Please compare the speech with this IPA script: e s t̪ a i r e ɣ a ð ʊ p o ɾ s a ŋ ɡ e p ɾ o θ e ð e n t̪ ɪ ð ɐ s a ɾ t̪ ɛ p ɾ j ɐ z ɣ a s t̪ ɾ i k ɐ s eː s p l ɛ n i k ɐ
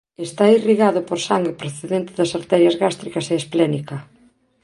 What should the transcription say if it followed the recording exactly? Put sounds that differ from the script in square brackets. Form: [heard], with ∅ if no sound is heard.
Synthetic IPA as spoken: e s t̪ a i r [i] ɣ a ð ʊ p o ɾ s a ŋ ɡ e p ɾ o θ e ð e n t̪ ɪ ð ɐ s a ɾ t̪ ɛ [∅] ɾ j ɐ z ɣ a s t̪ ɾ i k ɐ s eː s p l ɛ n i k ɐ